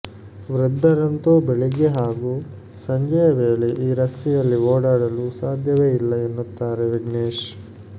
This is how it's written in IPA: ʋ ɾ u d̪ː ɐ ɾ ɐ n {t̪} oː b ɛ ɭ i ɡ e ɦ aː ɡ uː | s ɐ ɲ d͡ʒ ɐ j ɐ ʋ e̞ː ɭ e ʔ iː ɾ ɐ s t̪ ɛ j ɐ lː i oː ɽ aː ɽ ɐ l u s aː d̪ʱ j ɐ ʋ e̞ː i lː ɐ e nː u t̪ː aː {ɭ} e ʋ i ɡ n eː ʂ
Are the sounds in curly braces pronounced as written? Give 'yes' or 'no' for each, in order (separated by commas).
yes, no